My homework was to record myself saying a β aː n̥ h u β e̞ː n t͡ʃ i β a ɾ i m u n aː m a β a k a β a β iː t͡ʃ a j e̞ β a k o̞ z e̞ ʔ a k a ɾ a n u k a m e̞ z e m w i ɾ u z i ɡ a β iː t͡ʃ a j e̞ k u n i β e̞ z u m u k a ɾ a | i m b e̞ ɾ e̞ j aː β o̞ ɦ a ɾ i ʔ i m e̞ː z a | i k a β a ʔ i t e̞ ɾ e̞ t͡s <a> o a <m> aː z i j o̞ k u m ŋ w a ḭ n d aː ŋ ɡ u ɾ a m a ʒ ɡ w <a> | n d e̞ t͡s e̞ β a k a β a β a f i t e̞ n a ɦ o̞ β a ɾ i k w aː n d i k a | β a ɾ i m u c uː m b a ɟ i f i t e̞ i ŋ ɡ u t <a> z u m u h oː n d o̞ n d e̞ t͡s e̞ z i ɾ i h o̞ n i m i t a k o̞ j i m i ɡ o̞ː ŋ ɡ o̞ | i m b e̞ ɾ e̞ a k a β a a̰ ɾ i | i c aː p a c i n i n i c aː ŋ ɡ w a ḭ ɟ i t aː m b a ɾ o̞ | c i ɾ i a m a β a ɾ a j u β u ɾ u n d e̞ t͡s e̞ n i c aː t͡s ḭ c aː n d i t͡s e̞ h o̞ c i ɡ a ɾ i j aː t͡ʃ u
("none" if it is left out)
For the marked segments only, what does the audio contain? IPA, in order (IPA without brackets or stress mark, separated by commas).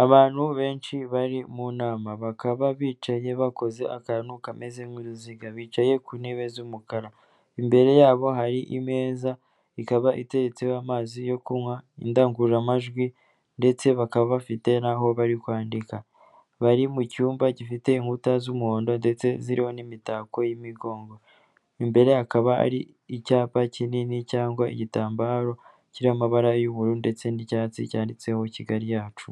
e, m, i, a